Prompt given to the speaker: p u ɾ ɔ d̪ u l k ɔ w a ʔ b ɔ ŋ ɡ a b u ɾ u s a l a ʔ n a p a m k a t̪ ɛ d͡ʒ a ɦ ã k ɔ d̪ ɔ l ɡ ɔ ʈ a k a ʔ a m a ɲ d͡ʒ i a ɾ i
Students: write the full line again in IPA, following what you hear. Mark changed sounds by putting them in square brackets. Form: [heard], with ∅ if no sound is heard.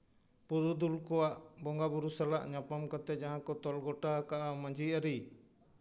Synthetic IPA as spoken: p u ɾ [u] d̪ u l k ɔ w a ʔ b ɔ ŋ ɡ a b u ɾ u s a l a ʔ [ɲ] a p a m k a t̪ ɛ d͡ʒ a ɦ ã k ɔ [t̪] ɔ l ɡ ɔ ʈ a k a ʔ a m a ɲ d͡ʒ i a ɾ i